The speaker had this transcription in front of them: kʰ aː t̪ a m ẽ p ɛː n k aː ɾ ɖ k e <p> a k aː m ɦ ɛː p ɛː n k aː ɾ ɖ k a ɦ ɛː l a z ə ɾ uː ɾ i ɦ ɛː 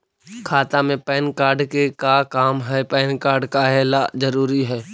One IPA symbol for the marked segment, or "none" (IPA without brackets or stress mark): k